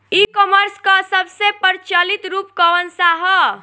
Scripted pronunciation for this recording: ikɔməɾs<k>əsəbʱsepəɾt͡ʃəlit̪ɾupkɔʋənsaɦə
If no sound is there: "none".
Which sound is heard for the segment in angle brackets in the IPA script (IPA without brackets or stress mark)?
k